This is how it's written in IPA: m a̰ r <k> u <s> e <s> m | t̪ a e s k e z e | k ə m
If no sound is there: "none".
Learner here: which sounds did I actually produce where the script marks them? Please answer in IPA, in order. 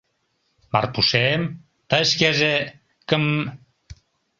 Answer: p, s, none

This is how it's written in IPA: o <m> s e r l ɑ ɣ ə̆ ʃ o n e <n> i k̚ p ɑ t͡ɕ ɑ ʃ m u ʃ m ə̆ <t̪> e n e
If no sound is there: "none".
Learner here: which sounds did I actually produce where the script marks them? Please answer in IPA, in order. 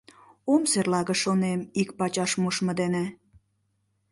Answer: m, m, d̪

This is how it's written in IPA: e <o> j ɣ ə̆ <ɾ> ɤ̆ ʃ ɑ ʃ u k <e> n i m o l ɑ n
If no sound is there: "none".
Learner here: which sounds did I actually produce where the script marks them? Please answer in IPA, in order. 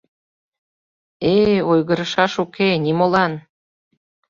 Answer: o, ɾ, e

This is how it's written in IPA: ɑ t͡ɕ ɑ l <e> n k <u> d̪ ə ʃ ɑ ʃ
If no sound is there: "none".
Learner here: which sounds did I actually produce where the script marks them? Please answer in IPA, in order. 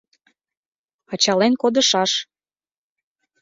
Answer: e, o

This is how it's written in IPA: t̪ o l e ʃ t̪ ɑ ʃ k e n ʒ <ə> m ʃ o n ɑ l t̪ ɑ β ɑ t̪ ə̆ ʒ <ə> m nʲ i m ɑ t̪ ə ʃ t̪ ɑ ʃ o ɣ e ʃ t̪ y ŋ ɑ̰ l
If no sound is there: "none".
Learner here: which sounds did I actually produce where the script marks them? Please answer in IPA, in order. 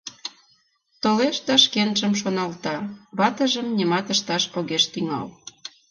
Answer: ə, ə

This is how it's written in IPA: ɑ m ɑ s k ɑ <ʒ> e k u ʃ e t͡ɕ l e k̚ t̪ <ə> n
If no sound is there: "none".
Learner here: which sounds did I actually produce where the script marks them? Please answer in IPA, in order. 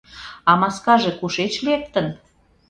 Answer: ʒ, ə

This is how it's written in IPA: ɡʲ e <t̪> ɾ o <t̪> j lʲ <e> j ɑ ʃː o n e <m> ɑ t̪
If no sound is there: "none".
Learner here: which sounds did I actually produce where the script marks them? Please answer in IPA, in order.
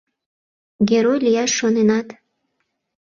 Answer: none, none, i, n

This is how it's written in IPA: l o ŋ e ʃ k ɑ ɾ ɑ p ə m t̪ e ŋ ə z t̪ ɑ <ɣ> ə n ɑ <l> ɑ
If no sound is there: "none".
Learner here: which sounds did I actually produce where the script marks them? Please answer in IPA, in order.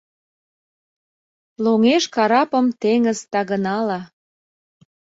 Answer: ɣ, l

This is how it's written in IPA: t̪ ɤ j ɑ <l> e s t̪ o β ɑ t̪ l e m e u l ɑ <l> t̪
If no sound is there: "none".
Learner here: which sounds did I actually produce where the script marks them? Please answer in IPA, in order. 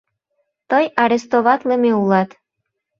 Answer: ɾ, none

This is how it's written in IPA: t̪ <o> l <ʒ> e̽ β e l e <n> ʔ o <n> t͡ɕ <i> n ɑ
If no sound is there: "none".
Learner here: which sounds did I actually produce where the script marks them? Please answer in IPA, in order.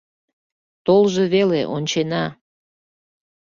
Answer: o, ʒ, none, n, e

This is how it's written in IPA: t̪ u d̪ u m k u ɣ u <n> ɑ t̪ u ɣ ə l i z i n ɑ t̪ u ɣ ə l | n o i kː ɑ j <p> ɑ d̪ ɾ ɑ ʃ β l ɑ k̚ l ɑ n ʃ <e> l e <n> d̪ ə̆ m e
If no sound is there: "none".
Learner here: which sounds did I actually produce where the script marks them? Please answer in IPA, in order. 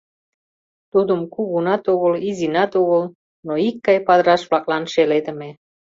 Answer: n, p, e, none

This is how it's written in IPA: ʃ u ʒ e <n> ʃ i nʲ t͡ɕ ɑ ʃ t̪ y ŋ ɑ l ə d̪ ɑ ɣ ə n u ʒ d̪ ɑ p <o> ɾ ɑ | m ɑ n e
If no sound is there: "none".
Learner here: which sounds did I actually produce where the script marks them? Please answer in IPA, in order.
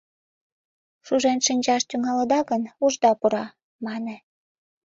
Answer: n, u

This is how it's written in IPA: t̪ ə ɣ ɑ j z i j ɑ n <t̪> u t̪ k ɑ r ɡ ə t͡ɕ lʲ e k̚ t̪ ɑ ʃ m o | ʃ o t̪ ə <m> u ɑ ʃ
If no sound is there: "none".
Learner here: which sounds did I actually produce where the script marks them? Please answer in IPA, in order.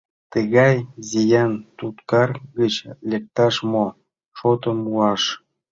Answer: t̪, m

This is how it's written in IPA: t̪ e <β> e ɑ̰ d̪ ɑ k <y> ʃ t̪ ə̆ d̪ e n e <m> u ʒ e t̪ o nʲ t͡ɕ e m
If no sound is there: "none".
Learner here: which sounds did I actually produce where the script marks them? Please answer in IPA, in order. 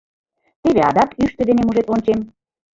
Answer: β, y, m

